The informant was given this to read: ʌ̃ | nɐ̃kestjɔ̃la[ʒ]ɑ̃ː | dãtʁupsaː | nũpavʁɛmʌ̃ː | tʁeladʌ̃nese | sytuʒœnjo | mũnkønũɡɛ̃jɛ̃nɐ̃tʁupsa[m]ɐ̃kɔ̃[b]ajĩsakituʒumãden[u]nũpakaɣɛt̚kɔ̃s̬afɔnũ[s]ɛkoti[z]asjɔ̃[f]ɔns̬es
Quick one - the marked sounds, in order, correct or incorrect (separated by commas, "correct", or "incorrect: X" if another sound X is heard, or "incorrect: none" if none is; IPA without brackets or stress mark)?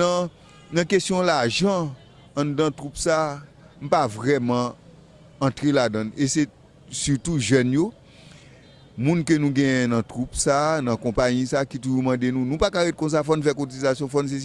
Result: correct, incorrect: n, incorrect: p, incorrect: ũ, incorrect: f, correct, correct